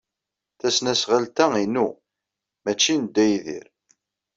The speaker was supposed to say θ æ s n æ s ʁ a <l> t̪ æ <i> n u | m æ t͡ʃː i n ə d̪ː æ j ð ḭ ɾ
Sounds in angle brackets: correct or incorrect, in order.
correct, correct

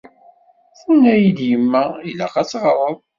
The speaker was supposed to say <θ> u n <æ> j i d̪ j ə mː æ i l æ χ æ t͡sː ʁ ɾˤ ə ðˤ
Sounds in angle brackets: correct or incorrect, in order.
correct, correct

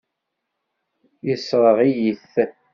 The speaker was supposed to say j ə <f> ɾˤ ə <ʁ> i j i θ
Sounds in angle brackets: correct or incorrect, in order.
incorrect, correct

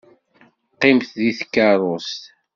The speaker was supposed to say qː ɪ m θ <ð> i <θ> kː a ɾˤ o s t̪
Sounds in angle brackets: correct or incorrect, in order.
correct, correct

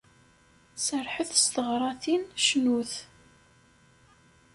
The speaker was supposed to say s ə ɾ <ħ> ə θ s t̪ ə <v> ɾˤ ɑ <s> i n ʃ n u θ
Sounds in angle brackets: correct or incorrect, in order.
correct, incorrect, incorrect

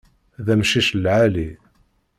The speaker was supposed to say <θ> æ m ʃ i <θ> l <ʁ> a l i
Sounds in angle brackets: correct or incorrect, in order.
incorrect, incorrect, incorrect

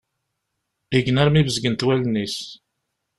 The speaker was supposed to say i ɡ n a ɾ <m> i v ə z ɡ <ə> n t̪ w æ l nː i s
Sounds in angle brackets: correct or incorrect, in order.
correct, correct

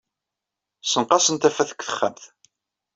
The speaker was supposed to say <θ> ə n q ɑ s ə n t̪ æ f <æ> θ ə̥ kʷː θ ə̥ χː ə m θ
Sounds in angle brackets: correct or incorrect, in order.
incorrect, correct

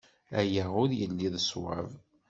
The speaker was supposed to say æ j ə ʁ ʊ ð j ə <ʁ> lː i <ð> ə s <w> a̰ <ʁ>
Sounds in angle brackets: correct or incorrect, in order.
incorrect, correct, correct, incorrect

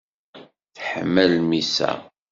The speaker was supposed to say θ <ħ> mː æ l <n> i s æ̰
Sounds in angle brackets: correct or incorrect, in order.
correct, incorrect

